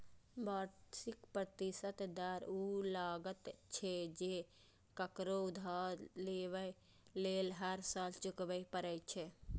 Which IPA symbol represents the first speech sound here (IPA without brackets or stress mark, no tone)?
b